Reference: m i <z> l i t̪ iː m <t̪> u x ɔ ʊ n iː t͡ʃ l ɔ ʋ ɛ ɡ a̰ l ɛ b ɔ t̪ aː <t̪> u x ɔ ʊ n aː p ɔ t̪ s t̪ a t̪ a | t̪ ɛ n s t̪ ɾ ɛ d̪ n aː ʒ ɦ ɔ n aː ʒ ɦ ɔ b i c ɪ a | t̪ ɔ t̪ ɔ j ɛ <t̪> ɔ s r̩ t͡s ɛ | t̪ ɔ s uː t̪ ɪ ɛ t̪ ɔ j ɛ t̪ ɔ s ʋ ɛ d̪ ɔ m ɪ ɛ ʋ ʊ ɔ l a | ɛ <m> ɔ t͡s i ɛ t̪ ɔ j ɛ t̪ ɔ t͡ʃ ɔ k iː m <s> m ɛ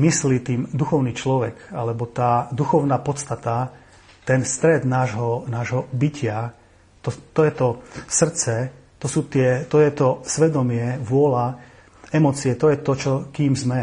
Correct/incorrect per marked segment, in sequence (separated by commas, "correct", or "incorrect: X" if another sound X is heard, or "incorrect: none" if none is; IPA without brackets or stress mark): incorrect: s, incorrect: d̪, incorrect: d̪, correct, correct, incorrect: z